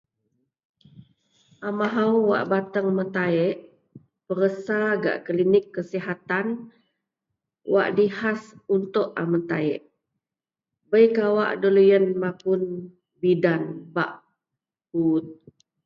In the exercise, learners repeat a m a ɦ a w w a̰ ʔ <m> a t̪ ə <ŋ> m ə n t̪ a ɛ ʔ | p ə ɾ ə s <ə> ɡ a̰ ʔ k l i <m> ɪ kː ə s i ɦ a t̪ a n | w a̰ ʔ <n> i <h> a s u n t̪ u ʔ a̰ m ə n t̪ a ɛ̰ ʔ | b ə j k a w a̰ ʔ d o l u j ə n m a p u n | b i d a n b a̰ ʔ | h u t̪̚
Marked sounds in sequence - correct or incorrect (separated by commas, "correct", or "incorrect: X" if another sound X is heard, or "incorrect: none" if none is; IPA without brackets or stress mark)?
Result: incorrect: b, correct, incorrect: a, incorrect: n, incorrect: d, correct